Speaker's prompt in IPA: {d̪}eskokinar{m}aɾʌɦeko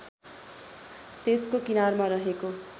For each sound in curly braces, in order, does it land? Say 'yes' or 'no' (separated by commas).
no, yes